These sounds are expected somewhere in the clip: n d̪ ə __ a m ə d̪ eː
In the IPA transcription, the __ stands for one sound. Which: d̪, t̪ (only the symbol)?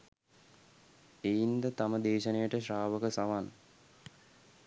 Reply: t̪